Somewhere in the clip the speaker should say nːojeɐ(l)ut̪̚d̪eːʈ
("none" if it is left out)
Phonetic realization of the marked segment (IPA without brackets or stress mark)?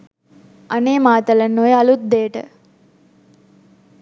l